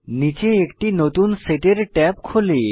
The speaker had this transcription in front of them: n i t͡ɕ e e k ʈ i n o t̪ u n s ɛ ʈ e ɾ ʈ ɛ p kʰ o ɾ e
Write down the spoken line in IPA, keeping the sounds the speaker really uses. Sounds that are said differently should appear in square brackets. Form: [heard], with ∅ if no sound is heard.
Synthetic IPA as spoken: n i t͡ɕ e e k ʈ i n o t̪ u n s [e] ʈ e ɾ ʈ ɛ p kʰ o [l] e